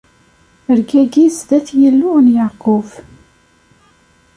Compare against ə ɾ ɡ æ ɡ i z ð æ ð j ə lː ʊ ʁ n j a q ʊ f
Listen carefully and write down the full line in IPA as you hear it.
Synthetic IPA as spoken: ə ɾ ɡ æ ɡ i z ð æ θ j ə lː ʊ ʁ n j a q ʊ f